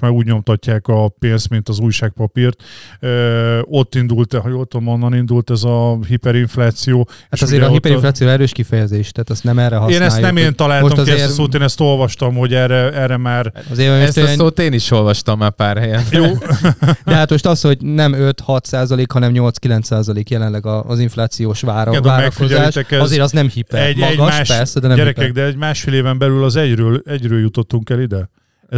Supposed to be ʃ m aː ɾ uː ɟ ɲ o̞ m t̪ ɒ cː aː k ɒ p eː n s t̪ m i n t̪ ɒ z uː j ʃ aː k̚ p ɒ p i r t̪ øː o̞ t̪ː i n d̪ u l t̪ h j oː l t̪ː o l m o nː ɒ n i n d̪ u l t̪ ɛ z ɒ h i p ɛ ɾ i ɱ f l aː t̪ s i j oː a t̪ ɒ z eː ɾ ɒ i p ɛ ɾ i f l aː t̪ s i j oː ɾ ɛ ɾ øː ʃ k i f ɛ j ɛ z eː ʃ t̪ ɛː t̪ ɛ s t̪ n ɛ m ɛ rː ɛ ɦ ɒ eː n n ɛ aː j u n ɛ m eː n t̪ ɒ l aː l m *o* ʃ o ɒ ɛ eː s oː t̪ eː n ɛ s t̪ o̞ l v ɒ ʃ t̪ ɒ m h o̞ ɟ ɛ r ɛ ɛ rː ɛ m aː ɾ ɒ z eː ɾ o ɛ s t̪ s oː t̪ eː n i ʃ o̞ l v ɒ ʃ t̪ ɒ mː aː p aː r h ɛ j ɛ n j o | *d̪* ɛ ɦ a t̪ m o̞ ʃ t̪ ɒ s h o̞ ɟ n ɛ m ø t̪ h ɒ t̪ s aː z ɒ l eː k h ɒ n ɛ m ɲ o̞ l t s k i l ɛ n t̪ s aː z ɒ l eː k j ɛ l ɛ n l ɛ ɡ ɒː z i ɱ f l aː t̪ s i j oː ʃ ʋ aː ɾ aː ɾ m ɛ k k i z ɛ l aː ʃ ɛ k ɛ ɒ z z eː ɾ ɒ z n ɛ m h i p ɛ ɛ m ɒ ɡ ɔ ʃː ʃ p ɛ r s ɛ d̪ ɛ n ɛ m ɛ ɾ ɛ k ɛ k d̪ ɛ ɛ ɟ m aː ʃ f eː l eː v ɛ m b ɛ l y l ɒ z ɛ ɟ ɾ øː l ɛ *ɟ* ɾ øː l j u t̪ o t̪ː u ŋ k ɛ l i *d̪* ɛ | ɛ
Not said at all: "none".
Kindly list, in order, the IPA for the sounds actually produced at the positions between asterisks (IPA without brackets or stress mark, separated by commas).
o, d̪, ɟ, d̪